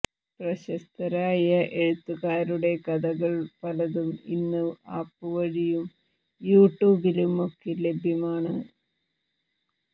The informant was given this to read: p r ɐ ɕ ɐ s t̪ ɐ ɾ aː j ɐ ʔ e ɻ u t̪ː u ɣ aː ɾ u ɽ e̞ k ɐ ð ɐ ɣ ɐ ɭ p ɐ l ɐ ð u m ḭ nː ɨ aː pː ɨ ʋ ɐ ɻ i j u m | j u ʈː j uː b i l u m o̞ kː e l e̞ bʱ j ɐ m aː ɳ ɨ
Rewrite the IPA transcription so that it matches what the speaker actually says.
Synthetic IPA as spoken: p r ɐ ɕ ɐ s t̪ ɐ ɾ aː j ɐ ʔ e ɻ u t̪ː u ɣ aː ɾ u ɽ e̞ k ɐ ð ɐ ɣ ɐ ɭ p ɐ l ɐ ð u m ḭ nː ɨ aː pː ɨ ʋ ɐ ɻ i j u m | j uː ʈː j uː b i l u m o̞ kː e l e̞ bʱ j ɐ m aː ɳ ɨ